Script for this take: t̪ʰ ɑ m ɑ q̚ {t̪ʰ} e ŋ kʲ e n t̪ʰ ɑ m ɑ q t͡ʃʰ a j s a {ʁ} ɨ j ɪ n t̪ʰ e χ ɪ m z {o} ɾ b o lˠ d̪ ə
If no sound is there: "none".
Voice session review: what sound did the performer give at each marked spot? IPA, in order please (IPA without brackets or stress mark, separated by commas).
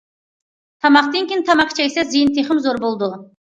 t̪, z, o